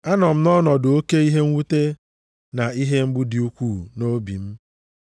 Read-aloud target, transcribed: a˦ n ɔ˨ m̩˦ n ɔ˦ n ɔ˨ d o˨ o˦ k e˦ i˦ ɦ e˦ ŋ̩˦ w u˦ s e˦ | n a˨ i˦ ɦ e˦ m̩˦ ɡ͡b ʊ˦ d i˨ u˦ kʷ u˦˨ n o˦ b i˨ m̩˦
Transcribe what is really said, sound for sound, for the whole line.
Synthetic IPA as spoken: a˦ n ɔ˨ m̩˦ n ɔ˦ n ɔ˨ d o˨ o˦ k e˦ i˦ ɦ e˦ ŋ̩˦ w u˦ t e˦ | n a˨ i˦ ɦ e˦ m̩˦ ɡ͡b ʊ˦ d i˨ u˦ kʷ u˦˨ n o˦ b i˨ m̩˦

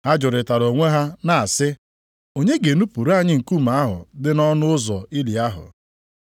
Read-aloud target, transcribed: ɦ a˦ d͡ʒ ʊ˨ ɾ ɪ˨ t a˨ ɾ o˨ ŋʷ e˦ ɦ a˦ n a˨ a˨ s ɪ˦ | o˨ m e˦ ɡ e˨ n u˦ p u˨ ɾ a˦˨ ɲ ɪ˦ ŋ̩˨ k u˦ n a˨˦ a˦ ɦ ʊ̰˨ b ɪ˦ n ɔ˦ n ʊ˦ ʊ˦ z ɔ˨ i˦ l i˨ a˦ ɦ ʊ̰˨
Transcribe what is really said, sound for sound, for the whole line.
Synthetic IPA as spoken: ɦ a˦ d͡ʒ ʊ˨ ɾ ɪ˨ t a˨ ɾ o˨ ŋʷ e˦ ɦ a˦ n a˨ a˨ s ɪ˦ | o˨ ɲ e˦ ɡ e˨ n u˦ p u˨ ɾ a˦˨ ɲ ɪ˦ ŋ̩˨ k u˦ m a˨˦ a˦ ɦ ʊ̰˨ d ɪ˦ n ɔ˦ n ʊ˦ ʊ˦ z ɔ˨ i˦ l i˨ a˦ ɦ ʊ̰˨

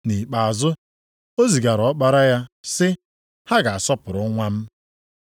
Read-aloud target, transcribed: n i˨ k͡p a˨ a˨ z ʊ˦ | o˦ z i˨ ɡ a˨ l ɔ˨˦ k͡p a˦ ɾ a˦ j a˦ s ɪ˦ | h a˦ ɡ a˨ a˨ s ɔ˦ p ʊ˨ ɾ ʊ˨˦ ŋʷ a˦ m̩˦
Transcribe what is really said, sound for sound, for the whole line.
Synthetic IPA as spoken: n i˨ k͡p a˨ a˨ z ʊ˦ | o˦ z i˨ ɡ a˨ ɾ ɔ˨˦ k͡p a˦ ɾ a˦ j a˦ s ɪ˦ | h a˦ ɡ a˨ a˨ s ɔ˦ p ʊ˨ ɾ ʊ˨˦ ŋʷ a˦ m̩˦

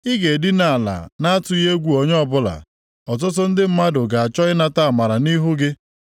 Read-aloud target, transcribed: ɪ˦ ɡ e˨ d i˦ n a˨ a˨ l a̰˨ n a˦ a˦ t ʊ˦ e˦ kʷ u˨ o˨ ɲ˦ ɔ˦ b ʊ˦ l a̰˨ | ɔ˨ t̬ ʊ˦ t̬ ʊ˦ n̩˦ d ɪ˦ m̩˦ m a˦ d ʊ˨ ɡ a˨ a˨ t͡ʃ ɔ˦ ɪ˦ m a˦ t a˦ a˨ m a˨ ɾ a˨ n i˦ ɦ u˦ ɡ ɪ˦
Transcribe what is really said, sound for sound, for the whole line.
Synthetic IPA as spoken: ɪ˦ ɡ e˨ d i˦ n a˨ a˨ l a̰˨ n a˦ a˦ t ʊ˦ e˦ ɡʷ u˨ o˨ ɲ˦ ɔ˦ b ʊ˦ l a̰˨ | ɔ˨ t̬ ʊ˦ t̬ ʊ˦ n̩˦ d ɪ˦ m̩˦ m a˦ d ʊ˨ ɡ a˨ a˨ t͡ʃ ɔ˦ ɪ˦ n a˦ t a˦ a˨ m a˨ ɾ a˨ n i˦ ɦ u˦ ɡ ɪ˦

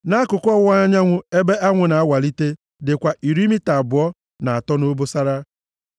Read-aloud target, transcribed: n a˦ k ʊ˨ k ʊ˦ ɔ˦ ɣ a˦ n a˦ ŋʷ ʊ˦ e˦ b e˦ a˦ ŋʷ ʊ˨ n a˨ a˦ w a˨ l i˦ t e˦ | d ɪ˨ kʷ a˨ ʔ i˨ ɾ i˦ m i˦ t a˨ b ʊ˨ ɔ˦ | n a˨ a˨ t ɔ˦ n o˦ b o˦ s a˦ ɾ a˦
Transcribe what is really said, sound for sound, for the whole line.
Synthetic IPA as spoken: n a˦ k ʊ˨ k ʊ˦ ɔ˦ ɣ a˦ ɲ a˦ ŋʷ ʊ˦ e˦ b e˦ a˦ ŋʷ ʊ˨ n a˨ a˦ w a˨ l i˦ t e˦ | d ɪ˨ kʷ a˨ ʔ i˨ ɾ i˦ m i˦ t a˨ b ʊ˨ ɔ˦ | n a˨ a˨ t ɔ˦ n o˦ b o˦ s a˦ ɾ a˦

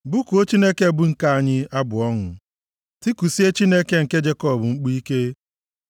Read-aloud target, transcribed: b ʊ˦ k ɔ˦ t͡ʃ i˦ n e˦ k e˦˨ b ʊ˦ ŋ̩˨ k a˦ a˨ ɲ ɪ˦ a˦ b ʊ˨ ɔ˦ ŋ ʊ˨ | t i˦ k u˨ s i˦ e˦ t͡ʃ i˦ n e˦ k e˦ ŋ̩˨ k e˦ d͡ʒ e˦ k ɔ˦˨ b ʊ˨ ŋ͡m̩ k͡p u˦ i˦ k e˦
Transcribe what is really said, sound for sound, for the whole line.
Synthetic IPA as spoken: b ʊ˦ k o˦ t͡ʃ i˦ n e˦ k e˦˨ b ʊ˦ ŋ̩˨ k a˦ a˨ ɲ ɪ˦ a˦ b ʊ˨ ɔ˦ ŋ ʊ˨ | t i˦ k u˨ s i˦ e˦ t͡ʃ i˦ n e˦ k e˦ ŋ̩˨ k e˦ d͡ʒ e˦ k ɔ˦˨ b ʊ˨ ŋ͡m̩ k͡p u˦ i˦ k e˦

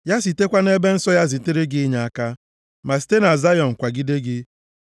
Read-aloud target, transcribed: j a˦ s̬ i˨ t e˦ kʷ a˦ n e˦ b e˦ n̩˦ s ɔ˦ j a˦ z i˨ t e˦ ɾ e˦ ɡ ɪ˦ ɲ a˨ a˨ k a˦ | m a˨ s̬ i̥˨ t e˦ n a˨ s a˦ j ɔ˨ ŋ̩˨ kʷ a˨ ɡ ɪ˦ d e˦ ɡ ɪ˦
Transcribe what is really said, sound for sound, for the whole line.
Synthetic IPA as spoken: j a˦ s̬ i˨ t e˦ kʷ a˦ n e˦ b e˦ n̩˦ s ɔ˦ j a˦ z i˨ t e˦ ɾ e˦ ɡ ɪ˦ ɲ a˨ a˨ k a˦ | m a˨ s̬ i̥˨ t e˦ n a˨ z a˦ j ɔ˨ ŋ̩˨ kʷ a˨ ɡ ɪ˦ d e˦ ɡ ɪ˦

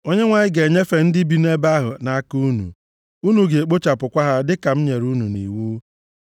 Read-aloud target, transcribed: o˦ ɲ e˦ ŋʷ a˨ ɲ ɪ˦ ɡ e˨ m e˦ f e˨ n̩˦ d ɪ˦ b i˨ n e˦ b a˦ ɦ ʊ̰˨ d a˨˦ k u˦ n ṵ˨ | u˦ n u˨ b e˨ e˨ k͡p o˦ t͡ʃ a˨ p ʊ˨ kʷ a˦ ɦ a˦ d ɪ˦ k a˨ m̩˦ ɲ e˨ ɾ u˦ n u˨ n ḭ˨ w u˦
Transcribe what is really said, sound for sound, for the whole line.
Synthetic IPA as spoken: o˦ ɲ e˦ ŋʷ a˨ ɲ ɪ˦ ɡ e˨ ɲ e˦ f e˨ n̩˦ d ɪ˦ b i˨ n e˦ b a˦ ɦ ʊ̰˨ n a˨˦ k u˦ n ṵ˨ | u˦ n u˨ ɡ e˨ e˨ k͡p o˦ t͡ʃ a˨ p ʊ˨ kʷ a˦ ɦ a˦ d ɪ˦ k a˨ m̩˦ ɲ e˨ ɾ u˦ n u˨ n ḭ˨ w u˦

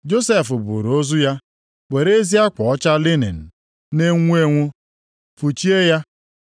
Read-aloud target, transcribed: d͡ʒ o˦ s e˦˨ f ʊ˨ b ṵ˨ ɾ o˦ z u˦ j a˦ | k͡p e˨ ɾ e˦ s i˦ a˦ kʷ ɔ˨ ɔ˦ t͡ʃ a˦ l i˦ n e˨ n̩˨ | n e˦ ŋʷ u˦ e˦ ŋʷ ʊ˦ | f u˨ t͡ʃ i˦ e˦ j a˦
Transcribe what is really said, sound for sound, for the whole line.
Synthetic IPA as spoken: d͡ʒ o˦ s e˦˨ f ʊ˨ b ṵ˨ ɾ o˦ z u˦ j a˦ | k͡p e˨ ɾ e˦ z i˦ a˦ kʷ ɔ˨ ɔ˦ t͡ʃ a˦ l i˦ n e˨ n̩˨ | n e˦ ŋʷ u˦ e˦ ŋʷ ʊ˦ | f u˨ t͡ʃ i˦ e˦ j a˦

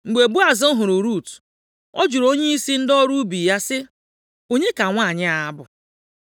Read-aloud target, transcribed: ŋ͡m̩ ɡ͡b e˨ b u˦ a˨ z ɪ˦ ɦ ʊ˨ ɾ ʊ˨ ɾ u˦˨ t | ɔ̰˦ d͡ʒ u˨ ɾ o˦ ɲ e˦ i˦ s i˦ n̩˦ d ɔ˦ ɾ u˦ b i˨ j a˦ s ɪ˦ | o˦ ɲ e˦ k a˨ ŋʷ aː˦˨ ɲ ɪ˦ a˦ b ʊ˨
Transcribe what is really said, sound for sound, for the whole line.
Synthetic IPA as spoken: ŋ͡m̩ ɡ͡b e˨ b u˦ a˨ z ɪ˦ ɦ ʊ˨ ɾ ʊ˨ ɾ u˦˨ t | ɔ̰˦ d͡ʒ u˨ ɾ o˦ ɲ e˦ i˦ s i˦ n̩˦ d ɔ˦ ɾ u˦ b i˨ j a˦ s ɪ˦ | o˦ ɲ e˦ k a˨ ŋʷ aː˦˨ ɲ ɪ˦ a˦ b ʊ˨

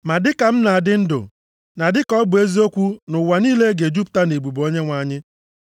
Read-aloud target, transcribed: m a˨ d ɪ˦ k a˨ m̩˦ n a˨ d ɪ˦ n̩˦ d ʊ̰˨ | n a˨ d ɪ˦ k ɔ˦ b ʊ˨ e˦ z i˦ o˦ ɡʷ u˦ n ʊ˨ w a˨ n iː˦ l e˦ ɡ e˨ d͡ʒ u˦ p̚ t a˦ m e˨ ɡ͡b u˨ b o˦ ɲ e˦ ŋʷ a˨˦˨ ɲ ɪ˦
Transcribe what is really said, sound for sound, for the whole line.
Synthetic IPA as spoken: m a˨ d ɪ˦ k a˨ m̩˦ n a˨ d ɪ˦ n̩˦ d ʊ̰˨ | n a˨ d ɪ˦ k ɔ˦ b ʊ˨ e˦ z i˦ o˦ kʷ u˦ n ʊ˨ w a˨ n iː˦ l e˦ ɡ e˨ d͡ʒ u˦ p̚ t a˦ n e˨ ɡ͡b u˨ b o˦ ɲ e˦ ŋʷ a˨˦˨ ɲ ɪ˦

